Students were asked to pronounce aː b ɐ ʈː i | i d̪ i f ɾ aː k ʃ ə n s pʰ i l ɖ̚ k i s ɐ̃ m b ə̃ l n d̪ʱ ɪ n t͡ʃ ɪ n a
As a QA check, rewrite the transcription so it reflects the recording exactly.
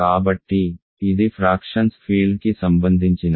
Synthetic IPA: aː b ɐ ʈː i | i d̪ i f ɾ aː k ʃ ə n s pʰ iː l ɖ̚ k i s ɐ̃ m b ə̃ n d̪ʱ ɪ n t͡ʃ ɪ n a